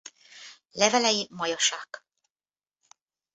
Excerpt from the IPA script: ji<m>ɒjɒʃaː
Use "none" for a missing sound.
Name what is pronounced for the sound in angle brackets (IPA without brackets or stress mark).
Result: m